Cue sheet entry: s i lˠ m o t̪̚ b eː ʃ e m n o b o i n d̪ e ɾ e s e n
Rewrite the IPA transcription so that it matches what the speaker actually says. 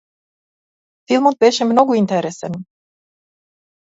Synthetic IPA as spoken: f i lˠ m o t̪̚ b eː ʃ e m n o ɡ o i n t̪ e ɾ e s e n